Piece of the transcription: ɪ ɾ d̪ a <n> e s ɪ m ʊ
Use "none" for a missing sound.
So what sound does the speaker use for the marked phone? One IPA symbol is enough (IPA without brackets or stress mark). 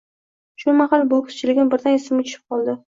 n